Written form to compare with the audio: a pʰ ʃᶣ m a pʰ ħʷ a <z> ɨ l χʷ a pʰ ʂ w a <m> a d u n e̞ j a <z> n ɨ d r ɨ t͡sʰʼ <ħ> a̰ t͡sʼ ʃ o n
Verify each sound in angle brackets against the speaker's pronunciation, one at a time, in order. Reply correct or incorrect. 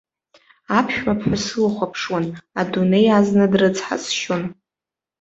incorrect, incorrect, correct, correct

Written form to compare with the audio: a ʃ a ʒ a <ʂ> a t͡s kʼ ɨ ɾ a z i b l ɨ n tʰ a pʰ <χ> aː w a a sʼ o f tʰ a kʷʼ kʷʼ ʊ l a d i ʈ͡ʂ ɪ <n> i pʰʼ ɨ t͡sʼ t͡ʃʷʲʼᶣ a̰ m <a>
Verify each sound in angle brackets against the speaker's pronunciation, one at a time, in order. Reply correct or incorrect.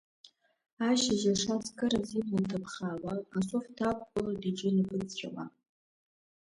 correct, correct, correct, correct

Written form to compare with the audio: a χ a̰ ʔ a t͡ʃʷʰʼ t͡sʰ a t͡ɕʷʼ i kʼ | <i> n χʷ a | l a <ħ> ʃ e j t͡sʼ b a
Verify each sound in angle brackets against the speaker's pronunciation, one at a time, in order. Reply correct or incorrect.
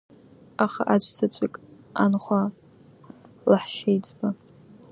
incorrect, correct

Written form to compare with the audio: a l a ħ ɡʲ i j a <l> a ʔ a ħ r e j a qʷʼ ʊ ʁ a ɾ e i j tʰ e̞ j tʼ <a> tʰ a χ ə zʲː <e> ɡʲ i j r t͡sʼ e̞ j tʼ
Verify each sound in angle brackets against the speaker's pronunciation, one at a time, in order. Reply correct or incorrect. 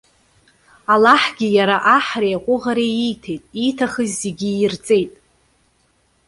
incorrect, incorrect, correct

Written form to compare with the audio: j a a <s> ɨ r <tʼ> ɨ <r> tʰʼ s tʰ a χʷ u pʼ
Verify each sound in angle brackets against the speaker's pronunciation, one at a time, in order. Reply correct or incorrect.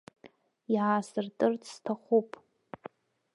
correct, correct, correct

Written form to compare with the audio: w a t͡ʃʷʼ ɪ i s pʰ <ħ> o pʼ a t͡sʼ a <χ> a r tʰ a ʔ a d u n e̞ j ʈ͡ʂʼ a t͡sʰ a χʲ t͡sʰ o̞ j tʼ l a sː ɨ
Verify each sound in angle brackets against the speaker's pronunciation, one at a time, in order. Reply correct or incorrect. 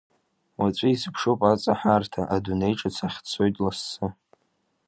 incorrect, incorrect

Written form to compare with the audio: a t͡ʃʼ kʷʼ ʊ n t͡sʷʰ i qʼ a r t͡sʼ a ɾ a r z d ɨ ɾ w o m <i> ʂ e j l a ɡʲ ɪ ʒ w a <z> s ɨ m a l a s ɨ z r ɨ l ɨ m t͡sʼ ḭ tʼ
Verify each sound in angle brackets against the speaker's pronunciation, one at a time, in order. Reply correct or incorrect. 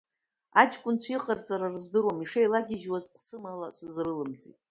correct, correct

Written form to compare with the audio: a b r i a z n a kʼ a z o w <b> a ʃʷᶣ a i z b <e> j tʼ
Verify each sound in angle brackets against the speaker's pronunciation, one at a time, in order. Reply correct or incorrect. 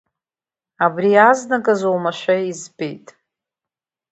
incorrect, correct

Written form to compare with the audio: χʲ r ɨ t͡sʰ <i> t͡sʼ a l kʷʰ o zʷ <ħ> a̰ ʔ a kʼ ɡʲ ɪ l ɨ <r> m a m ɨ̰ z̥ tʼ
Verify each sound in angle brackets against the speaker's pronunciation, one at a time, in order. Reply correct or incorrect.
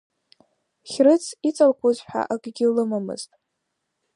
correct, correct, incorrect

